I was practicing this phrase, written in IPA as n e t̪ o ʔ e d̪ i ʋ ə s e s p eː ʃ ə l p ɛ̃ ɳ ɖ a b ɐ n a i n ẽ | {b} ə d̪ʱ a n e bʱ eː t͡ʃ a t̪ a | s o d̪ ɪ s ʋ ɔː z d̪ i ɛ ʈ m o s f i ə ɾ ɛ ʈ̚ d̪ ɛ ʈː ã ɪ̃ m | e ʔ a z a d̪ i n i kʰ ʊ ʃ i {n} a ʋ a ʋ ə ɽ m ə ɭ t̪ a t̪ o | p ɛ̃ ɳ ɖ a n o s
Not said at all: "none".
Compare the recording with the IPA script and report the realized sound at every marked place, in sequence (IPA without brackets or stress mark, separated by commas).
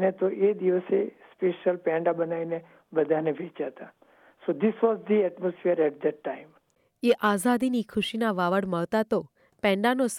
b, n